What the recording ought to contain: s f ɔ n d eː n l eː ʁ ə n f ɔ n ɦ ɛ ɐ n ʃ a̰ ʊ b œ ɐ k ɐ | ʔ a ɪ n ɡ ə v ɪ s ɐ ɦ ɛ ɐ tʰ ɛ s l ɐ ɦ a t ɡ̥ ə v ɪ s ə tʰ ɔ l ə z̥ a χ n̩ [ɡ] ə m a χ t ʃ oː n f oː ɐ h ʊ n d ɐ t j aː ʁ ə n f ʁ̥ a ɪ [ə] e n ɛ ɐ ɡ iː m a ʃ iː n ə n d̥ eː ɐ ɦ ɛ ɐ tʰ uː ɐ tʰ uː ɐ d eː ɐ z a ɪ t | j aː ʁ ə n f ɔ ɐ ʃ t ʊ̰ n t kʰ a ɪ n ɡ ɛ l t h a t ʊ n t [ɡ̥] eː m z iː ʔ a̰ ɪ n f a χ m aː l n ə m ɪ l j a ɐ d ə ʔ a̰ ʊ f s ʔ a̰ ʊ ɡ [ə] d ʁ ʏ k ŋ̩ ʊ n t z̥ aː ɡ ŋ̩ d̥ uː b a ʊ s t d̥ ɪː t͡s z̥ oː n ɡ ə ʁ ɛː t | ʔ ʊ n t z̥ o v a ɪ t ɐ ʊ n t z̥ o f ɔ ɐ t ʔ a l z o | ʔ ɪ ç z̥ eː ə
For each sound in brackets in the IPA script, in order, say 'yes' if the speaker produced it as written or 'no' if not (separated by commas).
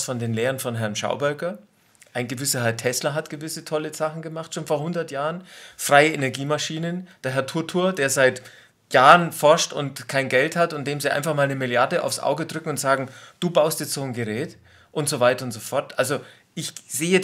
yes, yes, no, yes